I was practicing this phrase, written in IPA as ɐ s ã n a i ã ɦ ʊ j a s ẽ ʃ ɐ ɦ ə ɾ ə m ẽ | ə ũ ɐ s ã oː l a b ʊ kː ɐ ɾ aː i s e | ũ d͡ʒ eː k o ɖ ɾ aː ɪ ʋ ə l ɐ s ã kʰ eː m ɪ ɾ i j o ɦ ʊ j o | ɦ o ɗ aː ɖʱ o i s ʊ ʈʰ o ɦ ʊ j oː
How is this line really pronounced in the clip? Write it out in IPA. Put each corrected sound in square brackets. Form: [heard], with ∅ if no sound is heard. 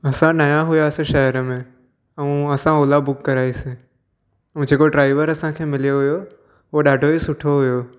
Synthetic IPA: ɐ s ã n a [j] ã ɦ ʊ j a s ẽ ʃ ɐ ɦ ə ɾ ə m ẽ | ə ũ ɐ s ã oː l a b ʊ kː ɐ ɾ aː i s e | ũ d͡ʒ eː k o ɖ ɾ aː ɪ ʋ ə [ɾ] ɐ s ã kʰ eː m ɪ [l] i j o ɦ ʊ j o | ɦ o ɗ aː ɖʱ o i s ʊ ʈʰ o ɦ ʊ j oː